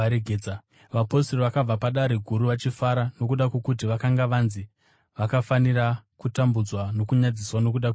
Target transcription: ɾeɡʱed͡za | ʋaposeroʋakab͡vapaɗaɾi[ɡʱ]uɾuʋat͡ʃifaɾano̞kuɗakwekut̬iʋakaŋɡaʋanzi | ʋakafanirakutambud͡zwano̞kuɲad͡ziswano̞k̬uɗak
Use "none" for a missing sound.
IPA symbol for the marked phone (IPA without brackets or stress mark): ɡʱ